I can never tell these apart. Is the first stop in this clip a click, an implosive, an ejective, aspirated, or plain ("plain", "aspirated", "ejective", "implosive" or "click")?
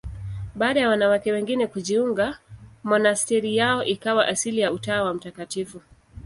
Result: implosive